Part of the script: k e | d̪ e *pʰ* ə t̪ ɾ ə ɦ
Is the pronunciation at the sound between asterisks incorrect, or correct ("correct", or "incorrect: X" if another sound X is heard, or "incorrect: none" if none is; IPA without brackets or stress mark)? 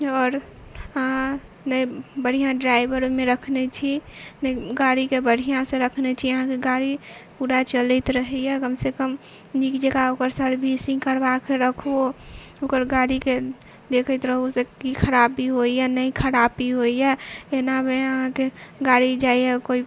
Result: incorrect: kʰ